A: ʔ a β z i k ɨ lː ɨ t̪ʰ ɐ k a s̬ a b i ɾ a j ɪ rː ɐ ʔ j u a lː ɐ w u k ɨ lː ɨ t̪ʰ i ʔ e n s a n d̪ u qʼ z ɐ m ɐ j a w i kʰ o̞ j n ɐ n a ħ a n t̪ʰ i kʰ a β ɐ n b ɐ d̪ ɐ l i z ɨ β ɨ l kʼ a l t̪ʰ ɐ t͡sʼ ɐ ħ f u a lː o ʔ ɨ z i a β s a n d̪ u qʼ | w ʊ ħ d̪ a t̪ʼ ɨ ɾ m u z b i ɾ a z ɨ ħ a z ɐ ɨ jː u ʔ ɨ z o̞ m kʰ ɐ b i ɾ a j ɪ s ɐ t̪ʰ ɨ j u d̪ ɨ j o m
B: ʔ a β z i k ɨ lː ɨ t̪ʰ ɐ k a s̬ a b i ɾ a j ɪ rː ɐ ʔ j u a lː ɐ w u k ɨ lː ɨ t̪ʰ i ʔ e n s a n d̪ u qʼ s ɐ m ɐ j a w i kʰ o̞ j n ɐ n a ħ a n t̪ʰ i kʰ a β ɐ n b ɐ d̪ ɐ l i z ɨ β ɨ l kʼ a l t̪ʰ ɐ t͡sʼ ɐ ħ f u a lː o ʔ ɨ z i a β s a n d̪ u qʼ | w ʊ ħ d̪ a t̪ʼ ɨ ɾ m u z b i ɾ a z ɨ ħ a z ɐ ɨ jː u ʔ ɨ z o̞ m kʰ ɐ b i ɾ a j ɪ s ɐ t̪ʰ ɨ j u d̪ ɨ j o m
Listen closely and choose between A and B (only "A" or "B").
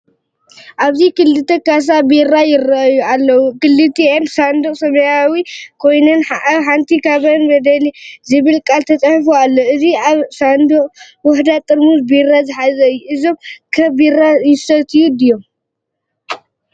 B